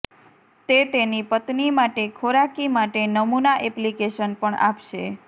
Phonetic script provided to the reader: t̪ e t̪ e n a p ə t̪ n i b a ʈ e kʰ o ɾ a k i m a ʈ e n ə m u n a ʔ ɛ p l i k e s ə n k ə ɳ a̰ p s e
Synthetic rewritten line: t̪ e t̪ e n i p ə t̪ n i m a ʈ e kʰ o ɾ a k i m a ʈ e n ə m u n a ʔ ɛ p l i k e ʃ ə n p ə ɳ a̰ p ʃ e